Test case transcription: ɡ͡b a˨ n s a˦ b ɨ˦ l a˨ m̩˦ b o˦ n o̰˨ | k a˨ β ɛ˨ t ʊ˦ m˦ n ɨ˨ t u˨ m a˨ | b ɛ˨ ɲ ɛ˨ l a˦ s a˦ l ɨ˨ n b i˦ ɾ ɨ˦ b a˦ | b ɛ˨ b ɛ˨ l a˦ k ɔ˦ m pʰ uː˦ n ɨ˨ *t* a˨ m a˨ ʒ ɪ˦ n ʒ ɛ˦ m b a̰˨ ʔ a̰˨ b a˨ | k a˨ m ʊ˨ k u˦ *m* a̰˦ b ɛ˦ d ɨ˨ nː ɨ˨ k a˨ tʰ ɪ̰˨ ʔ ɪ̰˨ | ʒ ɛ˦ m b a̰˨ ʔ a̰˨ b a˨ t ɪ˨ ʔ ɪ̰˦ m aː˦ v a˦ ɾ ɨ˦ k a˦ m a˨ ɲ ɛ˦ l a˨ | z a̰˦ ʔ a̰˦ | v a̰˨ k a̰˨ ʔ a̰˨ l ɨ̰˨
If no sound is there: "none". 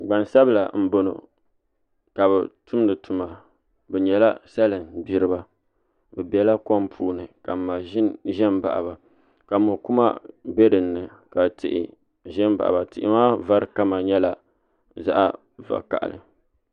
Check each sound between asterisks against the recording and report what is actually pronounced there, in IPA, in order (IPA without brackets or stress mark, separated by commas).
k, m